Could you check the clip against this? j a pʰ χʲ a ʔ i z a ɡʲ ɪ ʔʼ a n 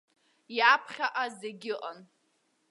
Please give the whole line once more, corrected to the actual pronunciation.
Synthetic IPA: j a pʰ χʲ a ʔ a z e ɡʲ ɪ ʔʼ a n